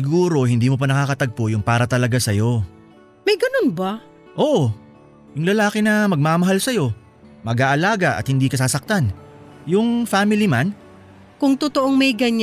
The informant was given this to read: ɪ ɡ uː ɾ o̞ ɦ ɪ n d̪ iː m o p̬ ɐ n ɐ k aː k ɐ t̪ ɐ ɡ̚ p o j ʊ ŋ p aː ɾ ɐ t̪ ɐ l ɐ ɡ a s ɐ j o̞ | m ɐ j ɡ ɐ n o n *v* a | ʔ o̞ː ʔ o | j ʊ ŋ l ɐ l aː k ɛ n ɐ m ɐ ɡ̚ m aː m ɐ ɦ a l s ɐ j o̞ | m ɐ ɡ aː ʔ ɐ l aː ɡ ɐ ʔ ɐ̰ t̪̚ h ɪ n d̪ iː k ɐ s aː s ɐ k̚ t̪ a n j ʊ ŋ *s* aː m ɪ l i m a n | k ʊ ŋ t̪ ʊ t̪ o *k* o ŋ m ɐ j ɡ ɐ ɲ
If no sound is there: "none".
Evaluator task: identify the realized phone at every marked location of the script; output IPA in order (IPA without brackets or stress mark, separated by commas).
b, f, ʔ